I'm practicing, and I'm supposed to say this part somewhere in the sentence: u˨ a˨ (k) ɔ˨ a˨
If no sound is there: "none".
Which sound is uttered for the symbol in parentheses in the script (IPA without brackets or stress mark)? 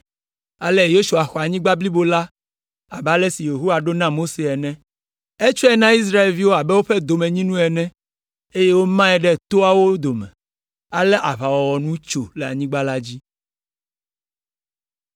x